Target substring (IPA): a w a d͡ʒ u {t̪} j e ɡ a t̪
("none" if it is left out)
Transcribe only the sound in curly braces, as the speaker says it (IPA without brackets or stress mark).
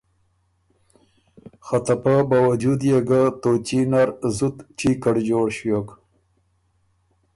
d̪